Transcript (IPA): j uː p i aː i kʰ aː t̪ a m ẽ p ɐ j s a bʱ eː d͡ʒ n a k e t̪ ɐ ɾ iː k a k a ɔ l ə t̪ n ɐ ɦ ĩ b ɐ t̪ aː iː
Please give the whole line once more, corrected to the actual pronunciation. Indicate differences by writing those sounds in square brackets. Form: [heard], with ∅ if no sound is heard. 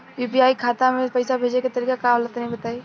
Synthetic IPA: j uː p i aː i kʰ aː t̪ a m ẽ p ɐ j s a bʱ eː d͡ʒ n [e] k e t̪ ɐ ɾ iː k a k a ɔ l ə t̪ n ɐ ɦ ĩ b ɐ t̪ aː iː